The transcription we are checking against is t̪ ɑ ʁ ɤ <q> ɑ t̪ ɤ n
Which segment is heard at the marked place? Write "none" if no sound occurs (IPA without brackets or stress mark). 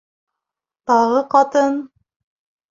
q